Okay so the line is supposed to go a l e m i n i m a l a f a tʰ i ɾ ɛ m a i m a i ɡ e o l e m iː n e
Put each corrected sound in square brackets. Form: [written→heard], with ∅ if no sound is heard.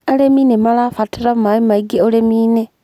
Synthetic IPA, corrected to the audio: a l e m i n [i→e] m a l a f a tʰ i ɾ [ɛ→a] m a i m a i ɡ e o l e m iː n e